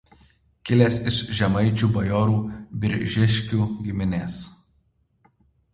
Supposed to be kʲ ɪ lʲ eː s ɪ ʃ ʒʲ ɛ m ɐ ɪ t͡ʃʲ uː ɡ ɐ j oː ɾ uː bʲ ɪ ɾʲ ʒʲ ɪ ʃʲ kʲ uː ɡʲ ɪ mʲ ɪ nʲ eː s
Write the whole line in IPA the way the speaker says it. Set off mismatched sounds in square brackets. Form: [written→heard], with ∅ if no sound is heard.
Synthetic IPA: kʲ ɪ lʲ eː s ɪ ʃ ʒʲ ɛ m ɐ ɪ t͡ʃʲ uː [ɡ→b] ɐ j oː ɾ uː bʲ ɪ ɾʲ ʒʲ ɪ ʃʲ kʲ uː ɡʲ ɪ mʲ ɪ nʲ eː s